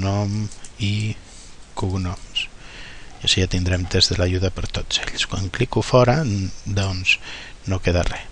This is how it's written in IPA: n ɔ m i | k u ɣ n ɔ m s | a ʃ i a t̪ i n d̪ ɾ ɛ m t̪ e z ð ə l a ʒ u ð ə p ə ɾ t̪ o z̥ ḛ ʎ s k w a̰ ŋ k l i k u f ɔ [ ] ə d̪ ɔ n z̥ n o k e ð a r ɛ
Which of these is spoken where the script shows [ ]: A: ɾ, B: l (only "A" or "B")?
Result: A